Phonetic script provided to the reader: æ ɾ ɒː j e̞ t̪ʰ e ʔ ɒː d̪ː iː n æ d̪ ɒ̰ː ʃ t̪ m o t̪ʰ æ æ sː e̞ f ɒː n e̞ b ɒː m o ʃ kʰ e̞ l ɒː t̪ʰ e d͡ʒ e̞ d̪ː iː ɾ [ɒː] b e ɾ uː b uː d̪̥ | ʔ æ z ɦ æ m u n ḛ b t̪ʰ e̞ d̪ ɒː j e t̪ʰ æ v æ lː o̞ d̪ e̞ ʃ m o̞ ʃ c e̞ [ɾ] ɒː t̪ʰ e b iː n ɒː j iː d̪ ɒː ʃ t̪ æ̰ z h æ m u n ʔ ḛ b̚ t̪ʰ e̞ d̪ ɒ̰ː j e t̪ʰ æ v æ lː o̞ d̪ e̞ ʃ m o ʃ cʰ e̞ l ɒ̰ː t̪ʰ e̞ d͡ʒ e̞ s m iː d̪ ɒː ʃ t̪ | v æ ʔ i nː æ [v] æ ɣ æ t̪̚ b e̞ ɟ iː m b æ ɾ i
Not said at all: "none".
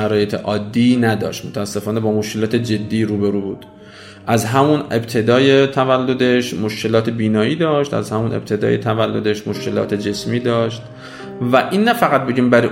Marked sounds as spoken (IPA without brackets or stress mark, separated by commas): uː, l, f